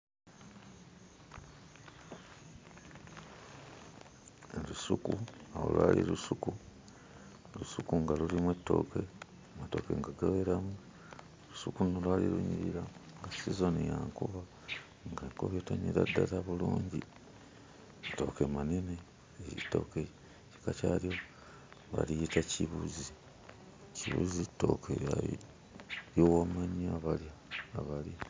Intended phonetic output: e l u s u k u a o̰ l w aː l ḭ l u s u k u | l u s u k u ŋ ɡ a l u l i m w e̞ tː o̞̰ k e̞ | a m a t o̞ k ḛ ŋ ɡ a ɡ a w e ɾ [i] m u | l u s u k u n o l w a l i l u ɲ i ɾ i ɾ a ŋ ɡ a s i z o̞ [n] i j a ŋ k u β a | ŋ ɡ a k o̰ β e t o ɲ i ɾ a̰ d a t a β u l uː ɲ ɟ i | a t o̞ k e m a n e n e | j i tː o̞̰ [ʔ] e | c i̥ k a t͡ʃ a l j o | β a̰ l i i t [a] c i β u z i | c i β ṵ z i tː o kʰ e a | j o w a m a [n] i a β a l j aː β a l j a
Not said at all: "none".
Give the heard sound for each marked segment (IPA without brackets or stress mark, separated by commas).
a, n, k, a, ɲ